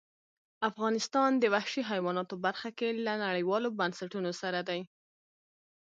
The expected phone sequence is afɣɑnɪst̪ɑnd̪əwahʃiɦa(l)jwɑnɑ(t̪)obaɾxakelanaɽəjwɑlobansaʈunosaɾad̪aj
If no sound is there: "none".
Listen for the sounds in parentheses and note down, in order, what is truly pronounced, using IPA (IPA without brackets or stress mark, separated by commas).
none, t̪